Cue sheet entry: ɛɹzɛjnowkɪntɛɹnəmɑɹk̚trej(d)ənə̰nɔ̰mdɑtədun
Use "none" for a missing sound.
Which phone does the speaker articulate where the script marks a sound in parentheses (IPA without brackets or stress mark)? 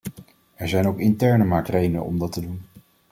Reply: d